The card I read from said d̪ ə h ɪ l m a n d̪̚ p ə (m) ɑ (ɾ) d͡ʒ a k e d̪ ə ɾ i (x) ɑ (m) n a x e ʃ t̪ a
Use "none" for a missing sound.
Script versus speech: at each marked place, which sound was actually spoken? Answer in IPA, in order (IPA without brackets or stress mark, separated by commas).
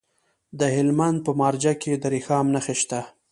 m, ɾ, x, m